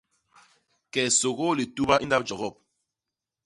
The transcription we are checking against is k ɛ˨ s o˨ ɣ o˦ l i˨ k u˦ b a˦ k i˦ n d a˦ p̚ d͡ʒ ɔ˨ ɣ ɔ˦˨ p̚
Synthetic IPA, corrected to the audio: k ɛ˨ s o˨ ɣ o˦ l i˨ t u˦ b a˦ ʔ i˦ n d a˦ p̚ d͡ʒ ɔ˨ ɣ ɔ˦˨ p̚